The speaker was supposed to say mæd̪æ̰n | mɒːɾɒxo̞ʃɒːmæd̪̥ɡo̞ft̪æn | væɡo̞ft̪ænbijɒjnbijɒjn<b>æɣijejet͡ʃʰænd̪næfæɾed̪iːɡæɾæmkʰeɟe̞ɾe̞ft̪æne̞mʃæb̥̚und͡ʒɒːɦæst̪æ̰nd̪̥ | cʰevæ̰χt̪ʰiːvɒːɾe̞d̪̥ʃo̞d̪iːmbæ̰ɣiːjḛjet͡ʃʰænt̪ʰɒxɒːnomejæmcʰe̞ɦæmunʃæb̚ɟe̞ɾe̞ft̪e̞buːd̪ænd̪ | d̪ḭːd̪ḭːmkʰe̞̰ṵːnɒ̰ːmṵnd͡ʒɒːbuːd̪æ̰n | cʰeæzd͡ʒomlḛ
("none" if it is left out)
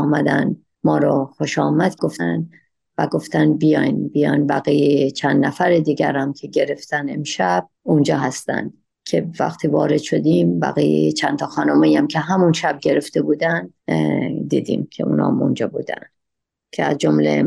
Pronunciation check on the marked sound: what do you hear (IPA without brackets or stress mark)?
b